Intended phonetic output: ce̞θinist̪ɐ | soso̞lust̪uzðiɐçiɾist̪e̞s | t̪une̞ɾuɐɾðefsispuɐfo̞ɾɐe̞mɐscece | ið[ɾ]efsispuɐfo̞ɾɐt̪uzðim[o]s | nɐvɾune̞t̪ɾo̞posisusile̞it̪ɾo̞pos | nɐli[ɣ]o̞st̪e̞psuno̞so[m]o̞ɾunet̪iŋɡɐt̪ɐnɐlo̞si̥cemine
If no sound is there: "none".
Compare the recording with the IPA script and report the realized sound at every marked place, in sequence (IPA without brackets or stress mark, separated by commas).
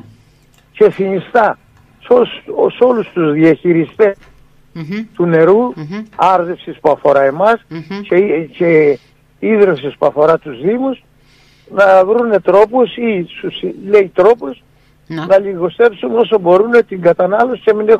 ɾ, u, ɣ, b